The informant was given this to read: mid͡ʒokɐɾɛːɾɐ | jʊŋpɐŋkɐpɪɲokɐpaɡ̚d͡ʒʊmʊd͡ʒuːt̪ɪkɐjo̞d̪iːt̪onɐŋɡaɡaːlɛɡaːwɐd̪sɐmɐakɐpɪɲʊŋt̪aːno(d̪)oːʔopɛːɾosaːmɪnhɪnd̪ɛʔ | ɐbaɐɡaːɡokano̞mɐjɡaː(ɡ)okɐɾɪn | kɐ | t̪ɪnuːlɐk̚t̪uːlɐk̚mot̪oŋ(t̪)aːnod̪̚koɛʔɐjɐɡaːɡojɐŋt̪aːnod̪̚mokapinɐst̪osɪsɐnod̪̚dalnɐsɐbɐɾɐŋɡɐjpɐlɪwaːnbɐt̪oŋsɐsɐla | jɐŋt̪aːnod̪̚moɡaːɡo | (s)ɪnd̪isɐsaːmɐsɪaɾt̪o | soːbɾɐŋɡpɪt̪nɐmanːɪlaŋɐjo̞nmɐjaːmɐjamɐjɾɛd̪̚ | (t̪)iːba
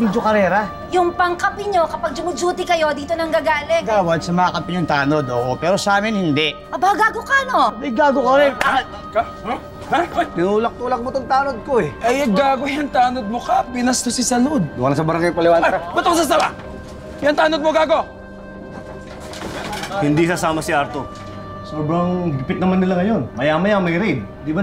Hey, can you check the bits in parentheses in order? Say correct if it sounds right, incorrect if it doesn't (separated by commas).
correct, correct, correct, incorrect, incorrect